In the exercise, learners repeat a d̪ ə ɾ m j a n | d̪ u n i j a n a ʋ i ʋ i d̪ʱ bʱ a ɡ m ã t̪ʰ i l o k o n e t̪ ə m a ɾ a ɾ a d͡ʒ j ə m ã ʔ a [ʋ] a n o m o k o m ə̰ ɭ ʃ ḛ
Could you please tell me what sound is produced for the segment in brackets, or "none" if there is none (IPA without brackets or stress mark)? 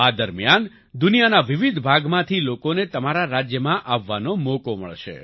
ʋː